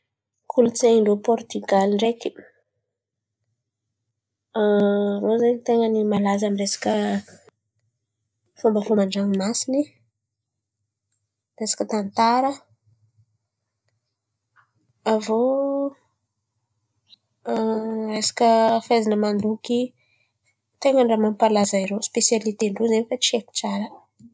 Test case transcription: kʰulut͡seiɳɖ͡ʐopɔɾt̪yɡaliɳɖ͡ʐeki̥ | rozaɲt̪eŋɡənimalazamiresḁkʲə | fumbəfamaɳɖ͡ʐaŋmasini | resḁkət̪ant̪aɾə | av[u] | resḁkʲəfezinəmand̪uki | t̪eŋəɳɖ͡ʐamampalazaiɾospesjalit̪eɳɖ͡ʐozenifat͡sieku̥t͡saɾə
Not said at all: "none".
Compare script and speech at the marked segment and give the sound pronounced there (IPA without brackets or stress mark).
o